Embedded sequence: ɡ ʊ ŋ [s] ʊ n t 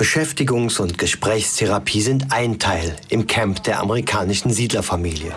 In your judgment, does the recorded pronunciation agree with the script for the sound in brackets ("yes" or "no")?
yes